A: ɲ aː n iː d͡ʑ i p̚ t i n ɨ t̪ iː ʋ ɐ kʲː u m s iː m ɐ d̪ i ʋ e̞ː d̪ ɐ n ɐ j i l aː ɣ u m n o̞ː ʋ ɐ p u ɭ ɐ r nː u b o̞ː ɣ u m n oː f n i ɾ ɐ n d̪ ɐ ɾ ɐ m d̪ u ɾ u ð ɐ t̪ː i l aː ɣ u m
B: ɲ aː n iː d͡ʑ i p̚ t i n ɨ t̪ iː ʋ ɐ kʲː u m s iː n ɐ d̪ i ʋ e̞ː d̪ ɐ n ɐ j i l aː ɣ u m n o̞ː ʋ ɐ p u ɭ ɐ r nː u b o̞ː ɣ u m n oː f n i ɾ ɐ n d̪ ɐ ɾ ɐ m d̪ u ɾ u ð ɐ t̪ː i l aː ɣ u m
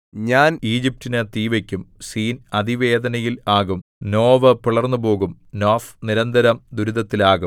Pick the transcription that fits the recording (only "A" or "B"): B